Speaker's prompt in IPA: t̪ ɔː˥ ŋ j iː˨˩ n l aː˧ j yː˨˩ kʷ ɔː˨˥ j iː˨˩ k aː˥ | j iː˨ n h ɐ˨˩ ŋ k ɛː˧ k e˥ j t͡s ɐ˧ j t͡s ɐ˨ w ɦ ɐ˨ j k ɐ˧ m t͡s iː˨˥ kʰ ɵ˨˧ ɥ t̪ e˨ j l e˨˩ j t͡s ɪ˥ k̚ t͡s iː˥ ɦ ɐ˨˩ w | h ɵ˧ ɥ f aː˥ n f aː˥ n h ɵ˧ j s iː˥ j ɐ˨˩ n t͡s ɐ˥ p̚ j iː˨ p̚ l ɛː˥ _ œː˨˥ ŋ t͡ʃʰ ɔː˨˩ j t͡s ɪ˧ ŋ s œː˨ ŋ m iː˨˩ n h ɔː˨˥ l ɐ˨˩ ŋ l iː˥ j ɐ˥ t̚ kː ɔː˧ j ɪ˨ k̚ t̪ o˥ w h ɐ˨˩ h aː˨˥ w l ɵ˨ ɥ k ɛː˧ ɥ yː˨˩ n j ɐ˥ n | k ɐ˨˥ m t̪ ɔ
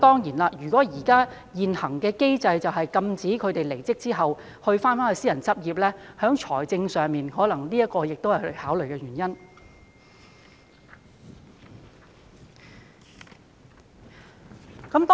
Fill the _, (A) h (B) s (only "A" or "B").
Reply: A